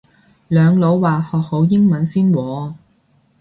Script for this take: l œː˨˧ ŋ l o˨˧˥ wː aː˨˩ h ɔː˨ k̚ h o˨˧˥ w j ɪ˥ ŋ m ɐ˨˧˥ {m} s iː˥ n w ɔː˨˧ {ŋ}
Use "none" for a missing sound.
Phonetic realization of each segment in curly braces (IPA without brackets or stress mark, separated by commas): n, none